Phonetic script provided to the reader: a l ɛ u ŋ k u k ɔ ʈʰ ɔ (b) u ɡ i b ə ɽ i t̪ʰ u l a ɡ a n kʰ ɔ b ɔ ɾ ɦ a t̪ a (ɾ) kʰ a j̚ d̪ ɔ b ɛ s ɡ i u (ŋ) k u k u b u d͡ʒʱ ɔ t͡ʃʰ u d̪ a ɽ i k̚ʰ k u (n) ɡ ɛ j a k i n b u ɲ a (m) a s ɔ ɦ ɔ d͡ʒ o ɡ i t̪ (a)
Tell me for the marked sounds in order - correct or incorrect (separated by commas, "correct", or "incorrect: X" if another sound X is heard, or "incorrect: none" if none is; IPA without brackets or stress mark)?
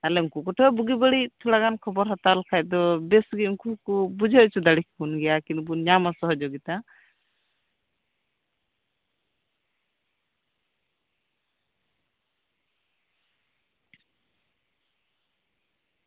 correct, incorrect: l, correct, correct, correct, correct